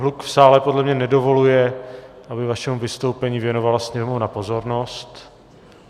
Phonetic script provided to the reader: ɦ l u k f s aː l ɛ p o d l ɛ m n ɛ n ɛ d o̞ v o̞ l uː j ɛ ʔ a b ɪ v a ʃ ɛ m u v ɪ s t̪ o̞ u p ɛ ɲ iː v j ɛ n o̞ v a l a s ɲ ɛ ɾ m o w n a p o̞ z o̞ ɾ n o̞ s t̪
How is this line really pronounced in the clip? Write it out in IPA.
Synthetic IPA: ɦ l u k f s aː l ɛ p o d l ɛ m ɲ ɛ n ɛ d o̞ v o̞ l u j ɛ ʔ a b ɪ v a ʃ ɛ m u v ɪ s t̪ o̞ w p ɛ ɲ iː v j ɛ n o̞ v a l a s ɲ ɛ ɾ m o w n a p o̞ z o̞ ɾ n o̞ s t̪